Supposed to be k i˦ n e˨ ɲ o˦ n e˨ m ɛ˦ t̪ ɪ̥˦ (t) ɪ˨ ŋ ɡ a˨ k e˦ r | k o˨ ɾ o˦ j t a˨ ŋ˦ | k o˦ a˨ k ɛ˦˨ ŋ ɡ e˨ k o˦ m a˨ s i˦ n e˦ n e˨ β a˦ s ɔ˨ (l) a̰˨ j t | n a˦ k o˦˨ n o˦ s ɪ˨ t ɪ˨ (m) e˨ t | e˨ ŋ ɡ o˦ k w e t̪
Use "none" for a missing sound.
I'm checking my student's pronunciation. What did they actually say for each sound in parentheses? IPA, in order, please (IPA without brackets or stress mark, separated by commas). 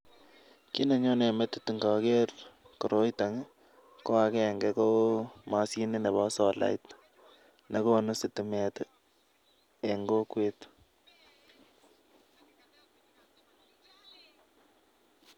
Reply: t, l, m